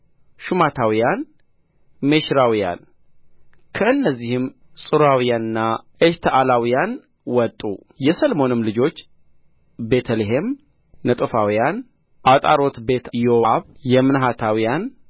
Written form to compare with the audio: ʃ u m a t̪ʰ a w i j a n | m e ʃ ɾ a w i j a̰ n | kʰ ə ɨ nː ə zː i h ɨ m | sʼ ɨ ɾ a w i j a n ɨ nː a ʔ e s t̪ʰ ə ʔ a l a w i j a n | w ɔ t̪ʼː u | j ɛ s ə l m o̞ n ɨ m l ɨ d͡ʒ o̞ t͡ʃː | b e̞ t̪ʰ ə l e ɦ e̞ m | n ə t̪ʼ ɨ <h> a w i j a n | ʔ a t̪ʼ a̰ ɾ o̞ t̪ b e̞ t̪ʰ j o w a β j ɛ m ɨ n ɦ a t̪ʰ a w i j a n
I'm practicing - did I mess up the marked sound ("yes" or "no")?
yes